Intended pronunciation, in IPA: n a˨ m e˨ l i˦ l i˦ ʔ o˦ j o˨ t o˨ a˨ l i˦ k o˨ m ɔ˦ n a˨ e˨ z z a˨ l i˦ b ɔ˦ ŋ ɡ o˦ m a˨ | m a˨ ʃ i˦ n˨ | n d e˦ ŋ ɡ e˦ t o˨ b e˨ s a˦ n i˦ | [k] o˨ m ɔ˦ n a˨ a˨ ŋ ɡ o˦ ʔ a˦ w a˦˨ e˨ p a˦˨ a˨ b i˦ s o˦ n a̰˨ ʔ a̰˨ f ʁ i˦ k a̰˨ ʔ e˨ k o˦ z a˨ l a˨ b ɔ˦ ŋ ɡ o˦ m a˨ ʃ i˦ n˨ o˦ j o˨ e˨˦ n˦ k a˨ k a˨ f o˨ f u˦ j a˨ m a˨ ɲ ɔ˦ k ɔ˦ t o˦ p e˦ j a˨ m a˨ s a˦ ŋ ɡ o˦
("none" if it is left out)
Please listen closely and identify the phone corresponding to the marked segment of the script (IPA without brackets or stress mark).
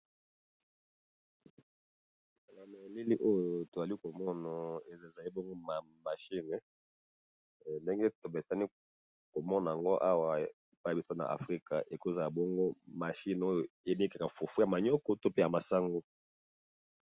k